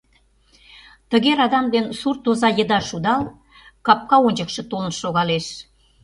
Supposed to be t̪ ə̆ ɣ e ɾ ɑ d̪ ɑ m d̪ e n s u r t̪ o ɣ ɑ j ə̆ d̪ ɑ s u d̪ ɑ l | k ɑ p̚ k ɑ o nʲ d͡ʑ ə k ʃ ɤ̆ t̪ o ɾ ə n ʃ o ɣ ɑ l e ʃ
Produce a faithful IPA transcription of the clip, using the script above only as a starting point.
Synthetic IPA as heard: t̪ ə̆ ɣ e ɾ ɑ d̪ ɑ m d̪ e n s u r t̪ o z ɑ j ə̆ d̪ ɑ ʃ u d̪ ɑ l | k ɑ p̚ k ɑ o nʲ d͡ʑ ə k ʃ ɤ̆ t̪ o l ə n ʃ o ɣ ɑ l e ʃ